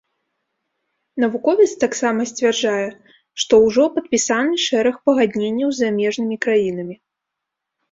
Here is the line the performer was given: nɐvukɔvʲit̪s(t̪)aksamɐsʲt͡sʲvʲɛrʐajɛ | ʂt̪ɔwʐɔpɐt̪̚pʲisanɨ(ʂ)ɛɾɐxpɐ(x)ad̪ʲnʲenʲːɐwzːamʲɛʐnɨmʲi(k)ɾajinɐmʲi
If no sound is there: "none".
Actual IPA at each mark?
t̪, ʂ, ɣ, k

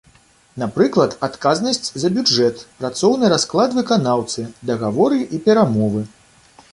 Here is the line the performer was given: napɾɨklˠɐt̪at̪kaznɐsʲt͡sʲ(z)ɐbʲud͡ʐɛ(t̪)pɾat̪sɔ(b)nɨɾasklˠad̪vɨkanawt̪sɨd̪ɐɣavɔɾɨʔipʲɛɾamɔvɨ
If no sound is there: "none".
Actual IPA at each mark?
z, t̪, w

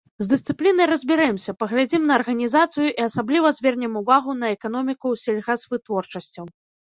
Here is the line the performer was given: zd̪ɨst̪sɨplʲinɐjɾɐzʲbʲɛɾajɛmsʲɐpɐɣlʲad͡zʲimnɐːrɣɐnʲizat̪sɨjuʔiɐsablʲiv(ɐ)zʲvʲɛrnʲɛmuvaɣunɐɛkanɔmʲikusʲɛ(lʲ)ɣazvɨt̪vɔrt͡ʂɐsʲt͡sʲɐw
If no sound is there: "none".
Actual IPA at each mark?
ɐ, lʲ

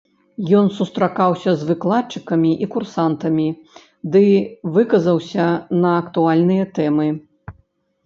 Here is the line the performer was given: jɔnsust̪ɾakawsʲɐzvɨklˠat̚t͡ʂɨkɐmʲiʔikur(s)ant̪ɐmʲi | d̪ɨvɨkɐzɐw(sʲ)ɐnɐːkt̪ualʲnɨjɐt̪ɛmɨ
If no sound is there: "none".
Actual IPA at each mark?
s, sʲ

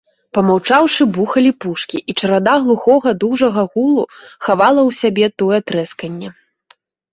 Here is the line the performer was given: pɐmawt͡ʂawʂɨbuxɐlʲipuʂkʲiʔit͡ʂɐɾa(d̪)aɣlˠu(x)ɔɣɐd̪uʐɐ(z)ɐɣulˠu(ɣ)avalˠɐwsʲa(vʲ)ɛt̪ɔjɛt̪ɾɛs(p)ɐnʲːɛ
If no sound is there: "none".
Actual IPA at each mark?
d̪, x, ɣ, x, bʲ, k

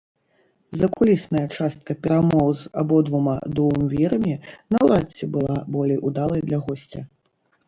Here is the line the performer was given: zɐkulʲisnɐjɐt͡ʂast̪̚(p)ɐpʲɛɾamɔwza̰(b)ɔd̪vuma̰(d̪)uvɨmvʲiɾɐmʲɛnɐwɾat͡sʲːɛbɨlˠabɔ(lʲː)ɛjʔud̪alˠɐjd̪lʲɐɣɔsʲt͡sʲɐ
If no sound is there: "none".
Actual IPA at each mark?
k, b, d̪, lʲ

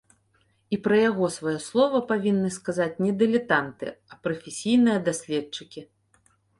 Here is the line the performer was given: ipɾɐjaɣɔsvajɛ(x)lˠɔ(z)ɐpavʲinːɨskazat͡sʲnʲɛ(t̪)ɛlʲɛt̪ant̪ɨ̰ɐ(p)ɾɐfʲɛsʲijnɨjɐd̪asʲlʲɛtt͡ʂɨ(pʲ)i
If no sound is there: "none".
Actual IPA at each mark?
s, v, d̪, p, kʲ

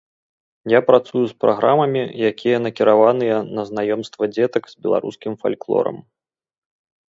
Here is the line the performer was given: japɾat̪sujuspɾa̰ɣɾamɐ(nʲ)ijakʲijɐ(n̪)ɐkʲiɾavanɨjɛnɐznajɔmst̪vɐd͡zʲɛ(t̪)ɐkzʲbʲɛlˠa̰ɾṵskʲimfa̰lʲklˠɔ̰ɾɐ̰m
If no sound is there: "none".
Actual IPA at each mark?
mʲ, n̪, t̪

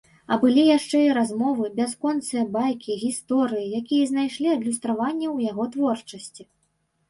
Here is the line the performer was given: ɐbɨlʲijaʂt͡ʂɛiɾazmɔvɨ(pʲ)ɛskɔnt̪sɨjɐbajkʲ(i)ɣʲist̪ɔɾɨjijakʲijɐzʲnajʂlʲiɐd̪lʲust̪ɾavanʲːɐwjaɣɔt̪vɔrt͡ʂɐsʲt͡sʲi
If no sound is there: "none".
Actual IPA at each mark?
bʲ, i

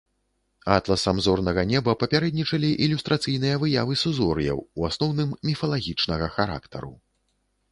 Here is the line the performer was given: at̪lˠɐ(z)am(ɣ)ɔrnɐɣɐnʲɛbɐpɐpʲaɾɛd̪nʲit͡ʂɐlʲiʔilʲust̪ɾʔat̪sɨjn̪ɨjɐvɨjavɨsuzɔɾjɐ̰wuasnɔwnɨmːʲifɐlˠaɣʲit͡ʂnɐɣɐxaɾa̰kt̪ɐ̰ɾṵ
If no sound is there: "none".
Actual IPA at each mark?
s, z

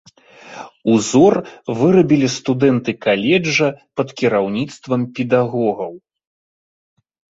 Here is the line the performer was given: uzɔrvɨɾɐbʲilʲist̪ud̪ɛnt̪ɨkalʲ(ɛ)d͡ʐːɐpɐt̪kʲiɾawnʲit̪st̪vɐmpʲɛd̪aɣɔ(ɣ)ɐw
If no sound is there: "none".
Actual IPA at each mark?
ɛ, ɣ

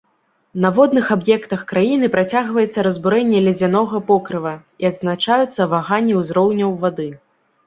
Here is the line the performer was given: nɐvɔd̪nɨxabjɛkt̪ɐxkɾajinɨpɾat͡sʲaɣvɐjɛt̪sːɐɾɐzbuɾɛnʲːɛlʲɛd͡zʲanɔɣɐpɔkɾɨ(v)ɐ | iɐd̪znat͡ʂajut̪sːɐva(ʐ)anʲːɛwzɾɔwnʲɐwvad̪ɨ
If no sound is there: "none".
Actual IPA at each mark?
v, ɣ

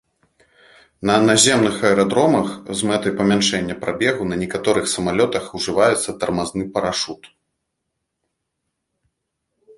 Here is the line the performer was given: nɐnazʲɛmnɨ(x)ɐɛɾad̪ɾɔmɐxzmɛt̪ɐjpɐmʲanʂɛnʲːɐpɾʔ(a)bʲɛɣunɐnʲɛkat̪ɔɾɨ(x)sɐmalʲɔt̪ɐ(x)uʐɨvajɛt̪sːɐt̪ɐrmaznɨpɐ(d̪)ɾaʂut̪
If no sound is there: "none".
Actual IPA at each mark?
x, a, x, x, none

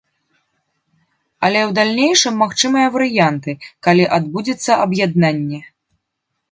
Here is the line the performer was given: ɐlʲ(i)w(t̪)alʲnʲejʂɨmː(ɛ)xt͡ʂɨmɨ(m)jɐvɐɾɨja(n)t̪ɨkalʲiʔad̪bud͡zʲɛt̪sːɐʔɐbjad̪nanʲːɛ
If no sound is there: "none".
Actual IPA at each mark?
ɛ, d̪, a, none, n

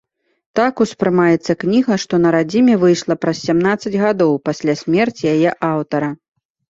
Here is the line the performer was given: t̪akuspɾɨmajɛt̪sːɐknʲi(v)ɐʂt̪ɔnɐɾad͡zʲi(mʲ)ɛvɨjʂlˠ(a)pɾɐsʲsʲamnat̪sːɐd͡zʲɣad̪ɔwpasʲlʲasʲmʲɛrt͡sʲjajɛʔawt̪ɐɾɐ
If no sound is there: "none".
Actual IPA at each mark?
ɣ, mʲ, ɐ

